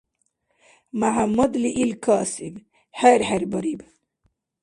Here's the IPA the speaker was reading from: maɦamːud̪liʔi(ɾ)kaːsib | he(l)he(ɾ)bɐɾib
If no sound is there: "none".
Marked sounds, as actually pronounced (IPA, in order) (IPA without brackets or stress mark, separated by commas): l, ɾ, ɾ